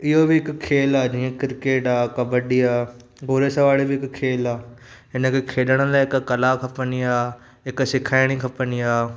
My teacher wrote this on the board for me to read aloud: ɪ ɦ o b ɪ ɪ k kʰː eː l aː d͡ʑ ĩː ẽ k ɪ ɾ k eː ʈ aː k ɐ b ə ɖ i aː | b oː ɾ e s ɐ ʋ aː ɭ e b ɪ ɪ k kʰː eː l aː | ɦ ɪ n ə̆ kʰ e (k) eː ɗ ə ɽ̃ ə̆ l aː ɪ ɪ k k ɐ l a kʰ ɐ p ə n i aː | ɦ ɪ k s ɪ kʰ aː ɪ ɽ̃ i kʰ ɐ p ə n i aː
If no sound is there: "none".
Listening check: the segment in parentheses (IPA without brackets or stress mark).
kʰ